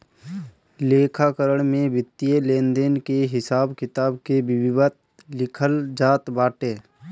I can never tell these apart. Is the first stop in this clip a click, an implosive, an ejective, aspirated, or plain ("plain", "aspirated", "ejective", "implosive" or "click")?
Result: aspirated